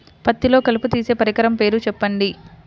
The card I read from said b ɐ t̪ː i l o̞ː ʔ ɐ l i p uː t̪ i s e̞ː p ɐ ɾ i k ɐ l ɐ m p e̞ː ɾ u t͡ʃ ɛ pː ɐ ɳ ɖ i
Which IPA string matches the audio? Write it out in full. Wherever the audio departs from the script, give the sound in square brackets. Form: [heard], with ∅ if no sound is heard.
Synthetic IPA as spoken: [p] ɐ t̪ː i l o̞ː [k] ɐ l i p [u] t̪ [iː] s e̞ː p ɐ ɾ i k ɐ [ɾ] ɐ m p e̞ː ɾ u t͡ʃ ɛ pː ɐ ɳ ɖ i